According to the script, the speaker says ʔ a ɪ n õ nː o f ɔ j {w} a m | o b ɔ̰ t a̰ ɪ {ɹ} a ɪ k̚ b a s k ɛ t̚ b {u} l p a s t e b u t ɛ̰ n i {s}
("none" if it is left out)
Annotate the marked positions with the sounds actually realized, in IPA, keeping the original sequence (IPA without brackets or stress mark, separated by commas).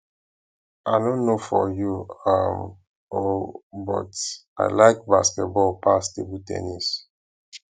u, l, ɔ, s